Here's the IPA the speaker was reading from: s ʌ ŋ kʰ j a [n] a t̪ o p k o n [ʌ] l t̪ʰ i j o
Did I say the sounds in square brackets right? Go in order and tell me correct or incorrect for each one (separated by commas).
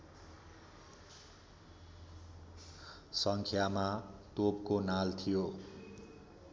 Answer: incorrect, incorrect